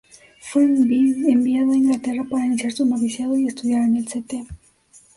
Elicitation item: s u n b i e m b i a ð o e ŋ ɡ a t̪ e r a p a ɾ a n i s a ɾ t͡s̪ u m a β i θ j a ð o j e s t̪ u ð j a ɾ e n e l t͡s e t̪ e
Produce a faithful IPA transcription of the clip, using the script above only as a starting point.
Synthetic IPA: f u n b i e m b i a ð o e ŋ ɡ a t̪ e r a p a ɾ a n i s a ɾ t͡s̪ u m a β i s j a ð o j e s t̪ u ð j a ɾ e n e l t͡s e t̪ e